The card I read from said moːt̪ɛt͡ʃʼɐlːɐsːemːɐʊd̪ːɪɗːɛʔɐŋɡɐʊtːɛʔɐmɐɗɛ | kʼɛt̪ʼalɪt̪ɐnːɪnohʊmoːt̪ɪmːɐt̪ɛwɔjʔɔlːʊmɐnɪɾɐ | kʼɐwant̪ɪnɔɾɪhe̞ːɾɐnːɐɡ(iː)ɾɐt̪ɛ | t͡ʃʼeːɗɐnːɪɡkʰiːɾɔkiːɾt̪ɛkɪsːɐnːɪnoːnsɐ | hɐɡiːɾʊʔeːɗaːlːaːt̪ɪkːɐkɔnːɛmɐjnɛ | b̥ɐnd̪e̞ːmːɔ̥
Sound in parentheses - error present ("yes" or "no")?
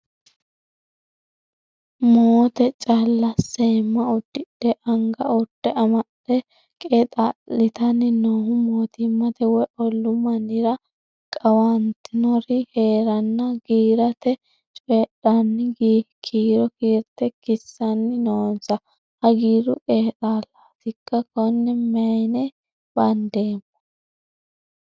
no